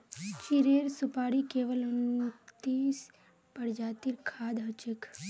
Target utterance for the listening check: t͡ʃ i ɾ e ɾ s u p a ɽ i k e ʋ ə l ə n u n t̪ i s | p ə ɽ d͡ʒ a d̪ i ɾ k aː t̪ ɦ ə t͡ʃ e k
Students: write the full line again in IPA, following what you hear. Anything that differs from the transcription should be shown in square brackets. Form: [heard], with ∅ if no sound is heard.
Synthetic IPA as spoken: t͡ʃ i ɾ e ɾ s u p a ɽ i k e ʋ ə l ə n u [∅] t̪ i s | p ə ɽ d͡ʒ a [t̪] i ɾ [kʰ] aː [d̪] ɦ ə t͡ʃ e k